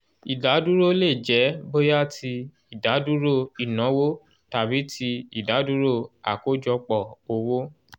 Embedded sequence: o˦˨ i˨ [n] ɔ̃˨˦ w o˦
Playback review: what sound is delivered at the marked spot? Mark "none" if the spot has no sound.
n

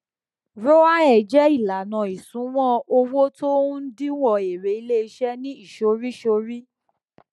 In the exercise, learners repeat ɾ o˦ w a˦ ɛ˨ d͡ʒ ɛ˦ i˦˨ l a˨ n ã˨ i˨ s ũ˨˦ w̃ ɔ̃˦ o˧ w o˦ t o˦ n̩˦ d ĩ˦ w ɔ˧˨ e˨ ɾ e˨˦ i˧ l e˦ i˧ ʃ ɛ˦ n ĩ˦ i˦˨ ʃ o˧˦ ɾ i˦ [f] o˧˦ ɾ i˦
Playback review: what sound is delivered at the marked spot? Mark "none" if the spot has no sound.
ʃ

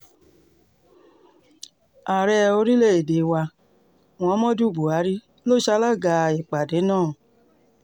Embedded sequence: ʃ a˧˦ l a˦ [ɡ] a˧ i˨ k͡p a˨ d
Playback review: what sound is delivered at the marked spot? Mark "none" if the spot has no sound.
ɡ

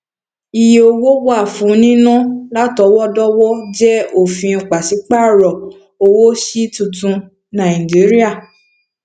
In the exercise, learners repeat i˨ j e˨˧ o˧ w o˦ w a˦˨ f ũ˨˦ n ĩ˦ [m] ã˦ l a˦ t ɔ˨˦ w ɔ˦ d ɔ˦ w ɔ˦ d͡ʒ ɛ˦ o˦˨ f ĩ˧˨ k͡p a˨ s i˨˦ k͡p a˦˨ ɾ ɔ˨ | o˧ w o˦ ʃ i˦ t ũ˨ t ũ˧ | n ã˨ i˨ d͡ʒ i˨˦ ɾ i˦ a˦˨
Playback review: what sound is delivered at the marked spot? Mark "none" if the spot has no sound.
n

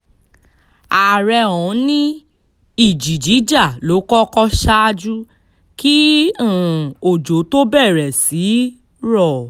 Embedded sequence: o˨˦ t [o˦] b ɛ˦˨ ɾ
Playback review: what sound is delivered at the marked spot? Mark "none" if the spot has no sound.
o˦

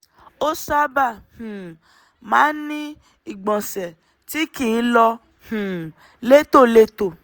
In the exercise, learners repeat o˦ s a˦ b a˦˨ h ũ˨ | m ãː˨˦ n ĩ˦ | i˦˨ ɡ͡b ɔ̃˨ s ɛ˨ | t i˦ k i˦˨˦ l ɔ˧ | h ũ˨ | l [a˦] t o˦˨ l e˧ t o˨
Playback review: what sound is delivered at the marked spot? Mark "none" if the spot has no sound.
e˦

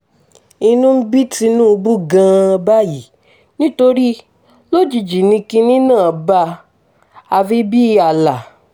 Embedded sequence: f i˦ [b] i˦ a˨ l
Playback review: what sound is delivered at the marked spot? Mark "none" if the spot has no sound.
b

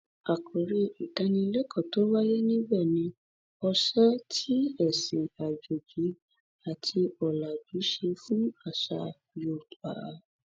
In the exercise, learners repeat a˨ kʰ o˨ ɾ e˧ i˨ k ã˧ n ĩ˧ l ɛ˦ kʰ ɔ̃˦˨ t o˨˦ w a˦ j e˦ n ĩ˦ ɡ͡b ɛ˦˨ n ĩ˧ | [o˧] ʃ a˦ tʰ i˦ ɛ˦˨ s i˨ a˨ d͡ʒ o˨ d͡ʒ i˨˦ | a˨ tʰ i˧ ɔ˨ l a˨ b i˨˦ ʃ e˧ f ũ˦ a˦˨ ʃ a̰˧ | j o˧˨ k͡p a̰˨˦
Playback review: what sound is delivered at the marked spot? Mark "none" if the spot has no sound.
ɔ˧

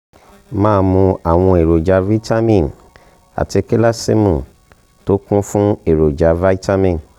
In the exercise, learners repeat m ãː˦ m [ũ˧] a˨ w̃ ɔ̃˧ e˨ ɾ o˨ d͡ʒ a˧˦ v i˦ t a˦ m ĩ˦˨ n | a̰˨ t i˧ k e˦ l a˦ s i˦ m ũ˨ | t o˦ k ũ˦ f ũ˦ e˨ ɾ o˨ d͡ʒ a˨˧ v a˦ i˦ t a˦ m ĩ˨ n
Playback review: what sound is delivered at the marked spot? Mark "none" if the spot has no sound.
ũ˧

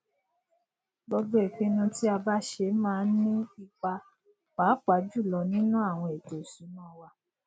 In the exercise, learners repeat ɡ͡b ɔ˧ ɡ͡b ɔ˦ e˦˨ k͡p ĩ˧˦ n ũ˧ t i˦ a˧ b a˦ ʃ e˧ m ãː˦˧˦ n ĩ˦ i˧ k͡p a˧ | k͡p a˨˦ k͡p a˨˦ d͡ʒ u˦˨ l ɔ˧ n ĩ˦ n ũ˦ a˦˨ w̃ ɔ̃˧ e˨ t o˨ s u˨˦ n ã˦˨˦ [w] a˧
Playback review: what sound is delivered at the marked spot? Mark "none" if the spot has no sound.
w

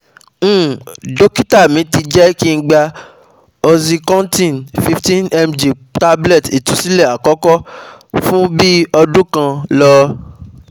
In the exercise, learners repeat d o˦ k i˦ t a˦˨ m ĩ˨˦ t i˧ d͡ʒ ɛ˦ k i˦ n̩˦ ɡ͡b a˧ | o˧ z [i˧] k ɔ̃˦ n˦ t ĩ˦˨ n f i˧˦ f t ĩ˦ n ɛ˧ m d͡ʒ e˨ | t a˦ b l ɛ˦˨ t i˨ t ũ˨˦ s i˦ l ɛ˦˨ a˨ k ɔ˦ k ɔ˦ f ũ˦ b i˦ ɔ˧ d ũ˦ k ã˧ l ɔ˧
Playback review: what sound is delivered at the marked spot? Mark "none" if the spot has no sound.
i˧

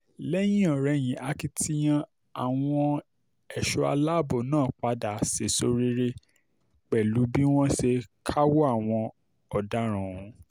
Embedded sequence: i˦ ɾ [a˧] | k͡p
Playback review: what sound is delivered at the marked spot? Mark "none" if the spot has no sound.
e˧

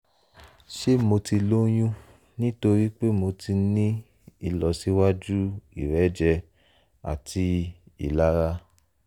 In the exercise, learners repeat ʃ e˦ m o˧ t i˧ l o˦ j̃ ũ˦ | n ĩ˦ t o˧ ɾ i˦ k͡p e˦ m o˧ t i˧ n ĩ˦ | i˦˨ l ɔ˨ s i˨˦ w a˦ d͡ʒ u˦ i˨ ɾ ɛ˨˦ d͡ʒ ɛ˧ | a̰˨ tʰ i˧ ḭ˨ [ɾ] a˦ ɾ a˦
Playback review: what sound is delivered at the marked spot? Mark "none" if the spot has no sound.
l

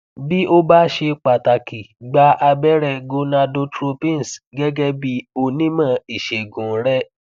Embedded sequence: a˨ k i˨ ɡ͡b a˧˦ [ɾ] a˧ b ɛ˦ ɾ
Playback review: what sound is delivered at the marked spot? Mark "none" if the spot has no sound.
none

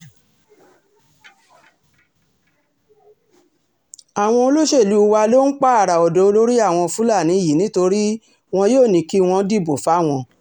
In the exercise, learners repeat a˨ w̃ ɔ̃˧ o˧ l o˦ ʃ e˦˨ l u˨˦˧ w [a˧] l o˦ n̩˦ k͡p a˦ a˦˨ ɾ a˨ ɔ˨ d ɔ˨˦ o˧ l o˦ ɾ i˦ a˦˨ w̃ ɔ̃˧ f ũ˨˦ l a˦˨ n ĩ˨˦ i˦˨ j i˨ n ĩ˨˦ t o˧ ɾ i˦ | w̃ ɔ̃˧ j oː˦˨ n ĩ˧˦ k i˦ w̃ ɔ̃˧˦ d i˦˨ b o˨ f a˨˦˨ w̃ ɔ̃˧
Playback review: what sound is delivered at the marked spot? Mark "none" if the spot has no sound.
a˧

